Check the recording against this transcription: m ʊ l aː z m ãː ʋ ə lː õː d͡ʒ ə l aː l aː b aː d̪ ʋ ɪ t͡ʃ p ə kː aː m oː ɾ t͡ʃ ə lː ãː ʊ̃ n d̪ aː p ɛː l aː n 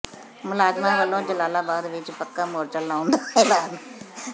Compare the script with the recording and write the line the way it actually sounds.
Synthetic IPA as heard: m ʊ l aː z m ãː ʋ ə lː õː d͡ʒ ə l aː l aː b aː d̪ ʋ ɪ t͡ʃ p ə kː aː m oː ɾ t͡ʃ ə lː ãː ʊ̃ n d̪ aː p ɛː l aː n